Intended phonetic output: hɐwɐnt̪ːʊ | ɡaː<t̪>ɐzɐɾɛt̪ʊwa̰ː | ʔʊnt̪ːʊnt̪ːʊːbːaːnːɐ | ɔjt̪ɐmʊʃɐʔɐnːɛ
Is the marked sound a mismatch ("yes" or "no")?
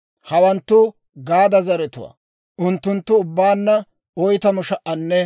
yes